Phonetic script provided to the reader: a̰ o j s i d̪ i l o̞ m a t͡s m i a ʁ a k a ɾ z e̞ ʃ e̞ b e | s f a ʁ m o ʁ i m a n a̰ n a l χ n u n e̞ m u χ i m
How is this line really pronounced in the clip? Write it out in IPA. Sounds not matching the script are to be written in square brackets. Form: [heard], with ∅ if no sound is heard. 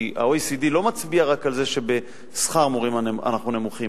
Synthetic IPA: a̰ o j s i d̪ i l o̞ m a t͡s [b] i a ʁ a k a [l] z e̞ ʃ e̞ b e | s [χ] a ʁ m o ʁ i m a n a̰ n a [∅] χ n u n e̞ m u χ i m